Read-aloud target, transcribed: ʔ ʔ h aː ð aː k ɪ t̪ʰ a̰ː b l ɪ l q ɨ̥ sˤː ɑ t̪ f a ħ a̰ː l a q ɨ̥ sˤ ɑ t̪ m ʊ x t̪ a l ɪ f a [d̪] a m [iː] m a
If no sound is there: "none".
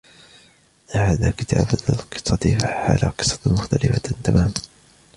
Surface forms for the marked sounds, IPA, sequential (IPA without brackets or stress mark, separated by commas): t̪, aː